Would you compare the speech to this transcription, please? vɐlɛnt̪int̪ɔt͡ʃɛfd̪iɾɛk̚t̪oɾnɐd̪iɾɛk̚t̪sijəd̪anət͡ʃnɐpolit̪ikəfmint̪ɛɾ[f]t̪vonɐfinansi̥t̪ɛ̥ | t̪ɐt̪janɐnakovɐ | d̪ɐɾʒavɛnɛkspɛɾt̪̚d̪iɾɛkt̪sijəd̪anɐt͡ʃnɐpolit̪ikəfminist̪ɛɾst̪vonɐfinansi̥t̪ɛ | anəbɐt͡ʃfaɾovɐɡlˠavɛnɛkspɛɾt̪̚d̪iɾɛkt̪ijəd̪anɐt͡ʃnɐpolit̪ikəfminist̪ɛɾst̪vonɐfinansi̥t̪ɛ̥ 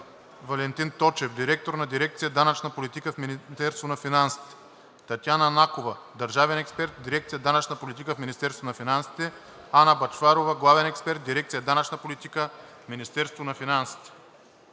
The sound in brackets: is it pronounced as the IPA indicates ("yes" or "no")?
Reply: no